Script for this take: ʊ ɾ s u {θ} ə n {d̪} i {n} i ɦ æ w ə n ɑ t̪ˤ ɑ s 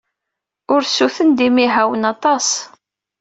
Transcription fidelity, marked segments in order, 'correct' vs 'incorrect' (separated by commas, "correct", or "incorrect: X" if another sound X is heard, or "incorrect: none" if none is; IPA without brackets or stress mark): correct, correct, incorrect: m